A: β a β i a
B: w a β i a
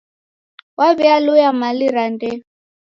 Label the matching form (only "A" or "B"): B